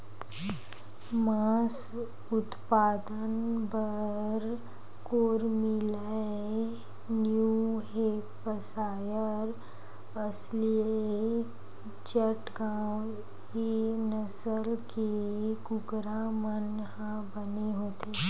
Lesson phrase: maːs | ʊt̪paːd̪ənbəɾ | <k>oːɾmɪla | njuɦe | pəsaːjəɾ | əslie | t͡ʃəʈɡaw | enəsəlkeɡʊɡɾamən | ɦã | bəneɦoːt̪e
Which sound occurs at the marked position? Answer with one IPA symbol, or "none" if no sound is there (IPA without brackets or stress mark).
k